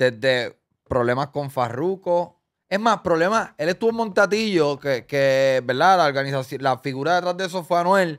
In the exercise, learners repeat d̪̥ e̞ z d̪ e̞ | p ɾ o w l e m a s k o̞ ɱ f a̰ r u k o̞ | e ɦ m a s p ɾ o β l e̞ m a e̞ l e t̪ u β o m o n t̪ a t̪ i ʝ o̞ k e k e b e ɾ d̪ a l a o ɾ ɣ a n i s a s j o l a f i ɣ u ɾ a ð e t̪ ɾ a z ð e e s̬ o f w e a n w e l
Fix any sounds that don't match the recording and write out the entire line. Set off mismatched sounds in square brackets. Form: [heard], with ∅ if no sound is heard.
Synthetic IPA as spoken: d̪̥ e̞ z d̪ e̞ | p ɾ o [β] l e m a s k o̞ ɱ f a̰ r u k o̞ | e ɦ m a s p ɾ o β l e̞ m a e̞ l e t̪ u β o m o n t̪ a t̪ i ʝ o̞ k e k e b e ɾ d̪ a l a o ɾ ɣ a n i s a s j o l a f i ɣ u ɾ a ð e t̪ ɾ a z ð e e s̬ o f w e a n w e l